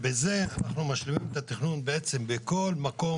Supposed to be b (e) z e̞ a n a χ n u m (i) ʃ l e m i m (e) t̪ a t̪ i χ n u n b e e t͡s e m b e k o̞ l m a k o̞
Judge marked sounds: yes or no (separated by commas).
yes, no, yes